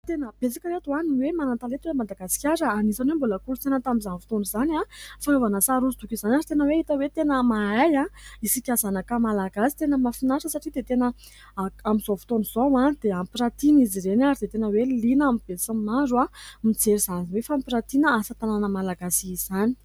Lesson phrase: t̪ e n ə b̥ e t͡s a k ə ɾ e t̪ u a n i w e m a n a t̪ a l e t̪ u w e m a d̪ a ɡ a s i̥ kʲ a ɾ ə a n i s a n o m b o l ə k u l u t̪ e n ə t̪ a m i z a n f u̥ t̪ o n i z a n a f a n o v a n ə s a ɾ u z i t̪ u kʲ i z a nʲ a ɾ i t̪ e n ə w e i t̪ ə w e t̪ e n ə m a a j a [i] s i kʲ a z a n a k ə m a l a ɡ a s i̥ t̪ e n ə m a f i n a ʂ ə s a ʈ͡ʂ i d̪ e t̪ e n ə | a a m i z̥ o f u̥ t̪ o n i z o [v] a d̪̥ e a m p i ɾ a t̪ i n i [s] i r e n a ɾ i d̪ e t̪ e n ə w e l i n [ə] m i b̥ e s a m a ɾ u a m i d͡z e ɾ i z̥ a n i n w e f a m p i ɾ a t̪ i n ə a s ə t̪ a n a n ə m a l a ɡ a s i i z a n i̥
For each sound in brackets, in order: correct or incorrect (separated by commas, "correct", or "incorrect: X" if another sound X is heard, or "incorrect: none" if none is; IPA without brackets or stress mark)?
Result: correct, incorrect: w, incorrect: z, incorrect: a